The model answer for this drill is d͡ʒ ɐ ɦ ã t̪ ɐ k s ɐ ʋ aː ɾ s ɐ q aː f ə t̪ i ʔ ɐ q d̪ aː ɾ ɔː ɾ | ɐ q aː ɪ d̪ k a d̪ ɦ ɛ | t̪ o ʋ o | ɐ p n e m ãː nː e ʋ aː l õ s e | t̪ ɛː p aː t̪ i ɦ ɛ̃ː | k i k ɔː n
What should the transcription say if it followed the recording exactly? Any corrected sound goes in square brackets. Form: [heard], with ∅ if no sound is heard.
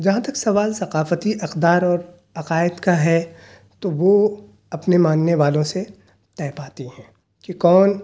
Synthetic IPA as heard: d͡ʒ ɐ ɦ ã t̪ ɐ k s ɐ ʋ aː [l] s ɐ q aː f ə t̪ i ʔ ɐ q d̪ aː ɾ ɔː ɾ | ɐ q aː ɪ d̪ k a [∅] ɦ ɛ | t̪ o ʋ o | ɐ p n e m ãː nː e ʋ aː l õ s e | t̪ ɛː p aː t̪ i ɦ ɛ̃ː | k i k ɔː n